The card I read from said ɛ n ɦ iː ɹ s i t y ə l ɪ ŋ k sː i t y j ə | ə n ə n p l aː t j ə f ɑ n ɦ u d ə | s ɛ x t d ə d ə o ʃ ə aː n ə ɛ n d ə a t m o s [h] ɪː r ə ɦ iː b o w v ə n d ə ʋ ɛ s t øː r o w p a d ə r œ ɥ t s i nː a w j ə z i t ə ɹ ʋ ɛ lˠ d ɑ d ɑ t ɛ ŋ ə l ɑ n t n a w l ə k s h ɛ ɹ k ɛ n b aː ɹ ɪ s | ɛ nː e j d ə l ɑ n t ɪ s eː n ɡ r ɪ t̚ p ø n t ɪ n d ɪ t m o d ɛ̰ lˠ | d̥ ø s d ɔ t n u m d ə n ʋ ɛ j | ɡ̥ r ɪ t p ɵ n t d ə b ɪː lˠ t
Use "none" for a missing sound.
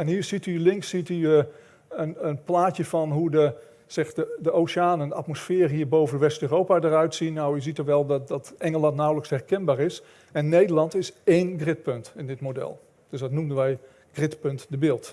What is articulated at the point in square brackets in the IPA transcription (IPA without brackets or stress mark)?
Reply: f